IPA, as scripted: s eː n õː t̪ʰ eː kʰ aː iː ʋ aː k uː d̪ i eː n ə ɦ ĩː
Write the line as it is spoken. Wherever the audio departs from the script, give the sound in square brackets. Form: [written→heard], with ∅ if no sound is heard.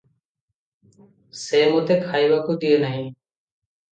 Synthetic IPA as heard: s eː [n→m] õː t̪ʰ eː kʰ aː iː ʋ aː k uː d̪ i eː n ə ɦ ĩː